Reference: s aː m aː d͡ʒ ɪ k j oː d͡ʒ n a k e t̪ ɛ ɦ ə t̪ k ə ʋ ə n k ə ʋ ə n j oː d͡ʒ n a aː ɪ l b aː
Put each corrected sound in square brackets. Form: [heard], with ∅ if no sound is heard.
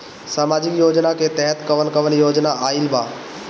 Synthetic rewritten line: s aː m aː d͡ʒ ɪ k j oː d͡ʒ n a k e t̪ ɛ ɦ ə t̪ k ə ʋ ə n k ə ʋ ə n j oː d͡ʒ n a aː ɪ l b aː